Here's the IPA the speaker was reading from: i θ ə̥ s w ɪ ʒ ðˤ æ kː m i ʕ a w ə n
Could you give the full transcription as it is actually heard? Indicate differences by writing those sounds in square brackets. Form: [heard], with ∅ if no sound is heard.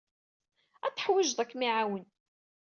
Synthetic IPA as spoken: [æ] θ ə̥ [ħ] w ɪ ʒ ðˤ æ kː m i ʕ a w ə n